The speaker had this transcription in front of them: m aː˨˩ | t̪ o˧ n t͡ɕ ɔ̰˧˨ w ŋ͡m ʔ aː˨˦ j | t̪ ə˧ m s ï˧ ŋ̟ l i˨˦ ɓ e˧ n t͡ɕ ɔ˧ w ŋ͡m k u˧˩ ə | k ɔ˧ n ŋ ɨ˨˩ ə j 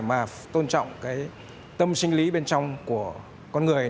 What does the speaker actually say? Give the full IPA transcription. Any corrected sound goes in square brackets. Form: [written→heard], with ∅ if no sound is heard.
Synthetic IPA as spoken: m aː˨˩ | t̪ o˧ n t͡ɕ ɔ̰˧˨ w ŋ͡m [ʔ→k] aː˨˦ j | t̪ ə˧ m s ï˧ ŋ̟ l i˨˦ ɓ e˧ n t͡ɕ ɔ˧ w ŋ͡m k u˧˩ ə | k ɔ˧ n ŋ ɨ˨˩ ə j

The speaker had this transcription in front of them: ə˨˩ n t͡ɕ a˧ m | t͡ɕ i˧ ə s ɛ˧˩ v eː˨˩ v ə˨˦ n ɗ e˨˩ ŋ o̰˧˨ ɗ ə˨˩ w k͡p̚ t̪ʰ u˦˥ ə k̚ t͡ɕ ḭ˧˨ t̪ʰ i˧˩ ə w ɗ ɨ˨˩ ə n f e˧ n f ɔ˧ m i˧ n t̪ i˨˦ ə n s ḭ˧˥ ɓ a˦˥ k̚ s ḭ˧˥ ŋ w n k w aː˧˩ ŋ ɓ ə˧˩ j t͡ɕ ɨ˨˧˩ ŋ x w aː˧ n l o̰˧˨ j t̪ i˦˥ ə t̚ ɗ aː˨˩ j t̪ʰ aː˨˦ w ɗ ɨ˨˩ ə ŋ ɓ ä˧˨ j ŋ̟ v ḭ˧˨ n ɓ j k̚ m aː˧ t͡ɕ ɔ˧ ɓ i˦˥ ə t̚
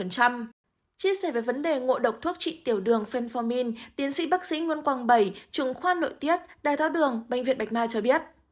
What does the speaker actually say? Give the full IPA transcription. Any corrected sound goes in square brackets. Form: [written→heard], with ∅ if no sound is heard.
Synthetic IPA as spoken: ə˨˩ n t͡ɕ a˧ m | t͡ɕ i˧ ə s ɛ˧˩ v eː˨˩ v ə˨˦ n ɗ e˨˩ ŋ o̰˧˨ ɗ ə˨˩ w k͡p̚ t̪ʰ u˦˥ ə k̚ t͡ɕ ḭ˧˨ [t̪ʰ→t̪] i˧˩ ə w ɗ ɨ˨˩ ə [n→ŋ] f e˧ n f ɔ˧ m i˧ n t̪ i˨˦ ə n s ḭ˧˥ ɓ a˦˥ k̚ s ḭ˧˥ ŋ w n k w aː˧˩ ŋ ɓ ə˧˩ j t͡ɕ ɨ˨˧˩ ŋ x w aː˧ n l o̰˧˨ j t̪ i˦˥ ə t̚ ɗ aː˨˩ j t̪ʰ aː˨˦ w ɗ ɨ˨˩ ə ŋ ɓ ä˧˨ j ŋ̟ v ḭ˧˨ n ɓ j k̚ m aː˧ t͡ɕ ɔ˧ ɓ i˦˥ ə t̚

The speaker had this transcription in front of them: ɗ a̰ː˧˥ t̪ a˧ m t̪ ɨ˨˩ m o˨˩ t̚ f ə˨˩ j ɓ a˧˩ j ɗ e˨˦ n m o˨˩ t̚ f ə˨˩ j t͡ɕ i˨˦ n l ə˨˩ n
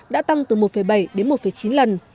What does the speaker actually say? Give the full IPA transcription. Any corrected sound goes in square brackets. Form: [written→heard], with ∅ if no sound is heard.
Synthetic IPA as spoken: ɗ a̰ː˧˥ t̪ a˧ [m→ŋ] t̪ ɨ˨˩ m o˨˩ t̚ f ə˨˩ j ɓ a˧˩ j ɗ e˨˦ n m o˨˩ t̚ f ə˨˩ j t͡ɕ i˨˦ n l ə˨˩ n

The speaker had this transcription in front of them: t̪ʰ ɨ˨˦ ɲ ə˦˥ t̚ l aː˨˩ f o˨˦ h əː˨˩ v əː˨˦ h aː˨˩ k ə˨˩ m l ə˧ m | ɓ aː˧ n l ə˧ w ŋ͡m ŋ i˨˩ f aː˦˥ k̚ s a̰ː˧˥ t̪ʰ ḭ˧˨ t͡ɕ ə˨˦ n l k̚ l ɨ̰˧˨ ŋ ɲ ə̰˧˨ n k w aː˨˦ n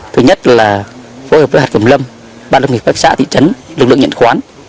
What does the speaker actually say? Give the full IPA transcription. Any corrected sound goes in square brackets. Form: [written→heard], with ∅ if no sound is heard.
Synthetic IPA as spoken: t̪ʰ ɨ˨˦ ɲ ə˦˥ t̚ l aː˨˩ f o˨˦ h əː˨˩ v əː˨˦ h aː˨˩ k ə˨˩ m l ə˧ m | ɓ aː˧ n l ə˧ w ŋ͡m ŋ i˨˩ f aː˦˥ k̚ s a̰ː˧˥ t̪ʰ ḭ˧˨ t͡ɕ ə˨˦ n l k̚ l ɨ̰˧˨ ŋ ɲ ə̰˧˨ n [k→x] w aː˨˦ n

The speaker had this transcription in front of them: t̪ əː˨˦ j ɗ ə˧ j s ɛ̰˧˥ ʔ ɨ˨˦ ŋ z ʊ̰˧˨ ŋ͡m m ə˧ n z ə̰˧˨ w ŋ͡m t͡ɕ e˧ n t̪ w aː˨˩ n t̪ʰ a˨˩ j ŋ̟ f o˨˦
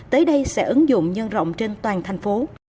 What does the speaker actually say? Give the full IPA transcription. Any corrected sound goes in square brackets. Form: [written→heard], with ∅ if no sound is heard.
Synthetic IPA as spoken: t̪ əː˨˦ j ɗ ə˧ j s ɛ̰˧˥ ʔ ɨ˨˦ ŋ z ʊ̰˧˨ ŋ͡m [m→ɲ] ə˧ n z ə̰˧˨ w ŋ͡m t͡ɕ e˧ n t̪ w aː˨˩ n t̪ʰ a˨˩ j ŋ̟ f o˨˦

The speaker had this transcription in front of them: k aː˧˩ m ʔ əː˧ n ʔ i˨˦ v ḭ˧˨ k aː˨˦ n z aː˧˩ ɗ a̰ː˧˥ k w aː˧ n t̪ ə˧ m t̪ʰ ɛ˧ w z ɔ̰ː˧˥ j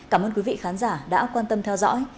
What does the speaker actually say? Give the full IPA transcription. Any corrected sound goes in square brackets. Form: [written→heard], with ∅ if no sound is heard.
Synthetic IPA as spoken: k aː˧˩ m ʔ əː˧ n [ʔ→k] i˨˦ v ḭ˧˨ [k→x] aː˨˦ n z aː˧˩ ɗ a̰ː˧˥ k w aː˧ n t̪ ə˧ m t̪ʰ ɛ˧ w z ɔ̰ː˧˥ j

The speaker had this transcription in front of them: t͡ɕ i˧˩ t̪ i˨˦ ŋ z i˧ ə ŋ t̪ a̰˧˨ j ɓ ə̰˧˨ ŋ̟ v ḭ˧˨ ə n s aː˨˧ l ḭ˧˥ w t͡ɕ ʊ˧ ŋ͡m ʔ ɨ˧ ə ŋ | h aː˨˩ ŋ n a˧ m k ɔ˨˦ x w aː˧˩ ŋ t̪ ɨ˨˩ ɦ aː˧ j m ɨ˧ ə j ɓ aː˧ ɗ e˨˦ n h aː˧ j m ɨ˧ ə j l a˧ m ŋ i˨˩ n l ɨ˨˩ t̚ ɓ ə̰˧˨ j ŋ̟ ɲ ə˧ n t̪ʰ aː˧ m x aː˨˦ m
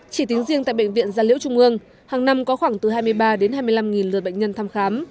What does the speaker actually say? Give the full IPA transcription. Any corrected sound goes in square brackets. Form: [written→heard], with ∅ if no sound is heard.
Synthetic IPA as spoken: t͡ɕ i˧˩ t̪ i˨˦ ŋ z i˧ ə ŋ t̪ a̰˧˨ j ɓ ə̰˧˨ ŋ̟ v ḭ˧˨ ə n [s→z] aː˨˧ l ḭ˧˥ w t͡ɕ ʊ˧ ŋ͡m ʔ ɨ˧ ə ŋ | h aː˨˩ ŋ n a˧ m k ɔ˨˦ x w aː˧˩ ŋ t̪ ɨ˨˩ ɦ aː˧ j m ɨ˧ ə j ɓ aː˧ ɗ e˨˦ n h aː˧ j m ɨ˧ ə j l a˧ m ŋ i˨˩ n l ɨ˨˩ t̚ ɓ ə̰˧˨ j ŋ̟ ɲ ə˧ n t̪ʰ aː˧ m x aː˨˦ m

